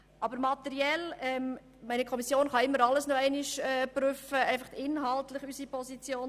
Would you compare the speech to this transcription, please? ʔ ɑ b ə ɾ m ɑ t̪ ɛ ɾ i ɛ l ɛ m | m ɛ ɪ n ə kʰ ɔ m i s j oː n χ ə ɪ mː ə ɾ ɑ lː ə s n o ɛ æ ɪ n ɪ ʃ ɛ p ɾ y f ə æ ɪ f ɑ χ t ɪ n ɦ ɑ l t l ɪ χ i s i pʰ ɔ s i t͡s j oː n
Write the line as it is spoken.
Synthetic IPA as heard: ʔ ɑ b ə ɾ m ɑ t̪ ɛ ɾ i ɛ l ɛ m | m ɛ ɪ n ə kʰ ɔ m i s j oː n χ ɑ ɪ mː ə ɾ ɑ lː ə s n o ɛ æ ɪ n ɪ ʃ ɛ p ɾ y f ə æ ɪ f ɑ χ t ɪ n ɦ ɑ l t l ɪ χ y s i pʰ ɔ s i t͡s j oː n